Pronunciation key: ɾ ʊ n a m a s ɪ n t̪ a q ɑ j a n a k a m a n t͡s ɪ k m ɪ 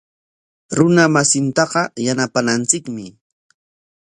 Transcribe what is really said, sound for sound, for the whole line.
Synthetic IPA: ɾ ʊ n a m a s ɪ n t̪ ɑ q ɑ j a n a p a n a n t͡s ɪ k m ɪ